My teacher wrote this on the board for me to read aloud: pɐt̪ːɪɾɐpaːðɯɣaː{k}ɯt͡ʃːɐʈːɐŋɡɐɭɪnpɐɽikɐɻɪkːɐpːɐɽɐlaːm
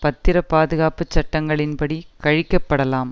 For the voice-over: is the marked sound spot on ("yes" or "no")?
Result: no